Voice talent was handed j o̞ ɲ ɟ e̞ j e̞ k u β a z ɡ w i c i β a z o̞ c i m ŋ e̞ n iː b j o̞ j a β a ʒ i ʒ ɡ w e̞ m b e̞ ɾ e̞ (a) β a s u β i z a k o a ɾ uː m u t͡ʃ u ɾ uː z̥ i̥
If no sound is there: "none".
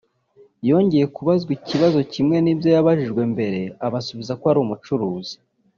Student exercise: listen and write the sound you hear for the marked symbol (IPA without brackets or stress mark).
a